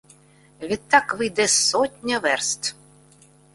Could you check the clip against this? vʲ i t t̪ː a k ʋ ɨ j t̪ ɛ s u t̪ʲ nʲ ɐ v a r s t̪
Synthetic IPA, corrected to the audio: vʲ i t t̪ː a k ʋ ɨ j d̪ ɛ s ɔ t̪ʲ nʲ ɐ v ɛ r s t̪

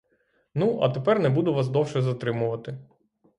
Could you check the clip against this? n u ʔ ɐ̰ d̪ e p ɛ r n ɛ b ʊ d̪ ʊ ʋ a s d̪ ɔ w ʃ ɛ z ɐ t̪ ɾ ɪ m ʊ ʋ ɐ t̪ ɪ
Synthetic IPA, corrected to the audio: n u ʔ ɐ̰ t̪ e p ɛ r n ɛ b u d̪ ʊ ʋ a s d̪ ɔ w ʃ ɛ z ɐ t̪ ɾ ɪ m ʊ ʋ ɐ t̪ ɪ

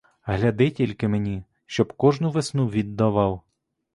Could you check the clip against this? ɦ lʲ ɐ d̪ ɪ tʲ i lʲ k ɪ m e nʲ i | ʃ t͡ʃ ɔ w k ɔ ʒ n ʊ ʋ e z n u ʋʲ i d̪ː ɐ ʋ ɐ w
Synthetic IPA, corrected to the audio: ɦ lʲ ɐ d̪ ɪ tʲ i lʲ k ɪ m e nʲ i | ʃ t͡ʃ ɔ b k ɔ ʒ n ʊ ʋ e s n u ʋʲ i d̪ː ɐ ʋ ɑ w

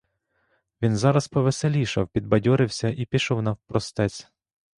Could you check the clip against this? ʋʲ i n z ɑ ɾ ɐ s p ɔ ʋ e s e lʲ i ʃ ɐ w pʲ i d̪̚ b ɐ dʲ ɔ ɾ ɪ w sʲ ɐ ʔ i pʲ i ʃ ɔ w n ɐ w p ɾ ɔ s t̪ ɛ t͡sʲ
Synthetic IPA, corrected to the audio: ʋʲ i n z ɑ ɾ ɐ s p ɔ ʋ e s e lʲ i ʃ ɐ w pʲ i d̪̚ b ɐ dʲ ɔ ɾ ɪ w sʲ ɐ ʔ i pʲ i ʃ ɔ w n ɐ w p ɾ ɔ s t̪ ɛ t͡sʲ

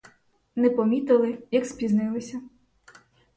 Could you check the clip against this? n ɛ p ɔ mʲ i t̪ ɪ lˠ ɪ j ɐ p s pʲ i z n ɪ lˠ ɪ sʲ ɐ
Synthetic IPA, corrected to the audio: n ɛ p ɔ mʲ i t̪ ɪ lˠ ɪ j ɐ k s pʲ i z n ɪ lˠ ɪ sʲ ɐ

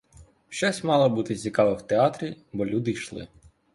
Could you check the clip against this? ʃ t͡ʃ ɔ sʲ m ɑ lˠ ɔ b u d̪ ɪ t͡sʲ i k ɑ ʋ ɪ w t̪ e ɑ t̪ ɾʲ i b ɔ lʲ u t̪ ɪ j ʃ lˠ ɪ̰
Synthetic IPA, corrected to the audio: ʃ t͡ʃ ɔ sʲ m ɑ lˠ ɔ b u t̪ ɪ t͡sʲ i k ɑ ʋ ɪ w t̪ e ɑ t̪ ɾʲ i b ɔ lʲ u d̪ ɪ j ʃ lˠ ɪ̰

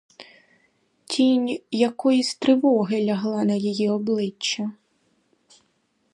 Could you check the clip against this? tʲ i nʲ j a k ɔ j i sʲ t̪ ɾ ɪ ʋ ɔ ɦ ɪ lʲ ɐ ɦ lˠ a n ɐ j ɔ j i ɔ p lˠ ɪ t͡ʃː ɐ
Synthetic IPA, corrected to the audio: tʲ i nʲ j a k ɔ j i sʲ t̪ ɾ ɪ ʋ ɔ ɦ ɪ lʲ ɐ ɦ lˠ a n ɐ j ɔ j i ɔ b lˠ ɪ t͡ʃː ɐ

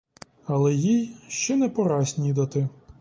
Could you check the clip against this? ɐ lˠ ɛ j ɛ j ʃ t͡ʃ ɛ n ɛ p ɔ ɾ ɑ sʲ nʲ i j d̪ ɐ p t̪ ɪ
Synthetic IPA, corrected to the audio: ɐ lˠ ɛ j i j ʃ t͡ʃ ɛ n ɛ p ɔ ɾ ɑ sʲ nʲ i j d̪ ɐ t̪ ɪ

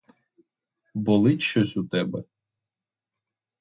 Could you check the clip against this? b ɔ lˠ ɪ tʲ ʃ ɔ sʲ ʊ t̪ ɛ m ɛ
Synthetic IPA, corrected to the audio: b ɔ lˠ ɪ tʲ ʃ ɔ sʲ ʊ t̪ ɛ b ɛ

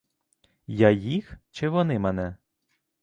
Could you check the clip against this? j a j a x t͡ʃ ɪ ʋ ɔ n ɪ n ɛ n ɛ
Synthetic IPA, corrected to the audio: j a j i x t͡ʃ ɪ ʋ ɔ n ɪ m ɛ n ɛ

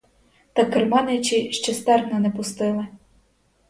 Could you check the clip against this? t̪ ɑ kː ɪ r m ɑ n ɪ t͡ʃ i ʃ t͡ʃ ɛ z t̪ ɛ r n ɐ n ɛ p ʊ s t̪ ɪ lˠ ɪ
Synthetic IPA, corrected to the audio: t̪ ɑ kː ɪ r m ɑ n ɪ t͡ʃ i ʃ t͡ʃ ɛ s t̪ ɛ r n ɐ n ɛ p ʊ s t̪ ɪ lˠ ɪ

